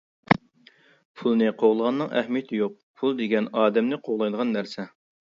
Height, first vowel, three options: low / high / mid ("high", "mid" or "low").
high